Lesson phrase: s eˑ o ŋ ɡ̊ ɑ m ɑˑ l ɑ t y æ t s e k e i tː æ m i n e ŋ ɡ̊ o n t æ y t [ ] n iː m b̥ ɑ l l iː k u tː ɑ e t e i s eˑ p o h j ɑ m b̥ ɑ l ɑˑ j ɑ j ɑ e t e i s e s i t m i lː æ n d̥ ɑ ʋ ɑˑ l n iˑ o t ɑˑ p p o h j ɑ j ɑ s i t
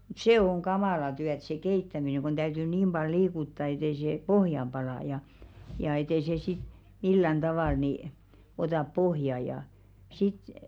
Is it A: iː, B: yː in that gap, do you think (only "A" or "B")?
B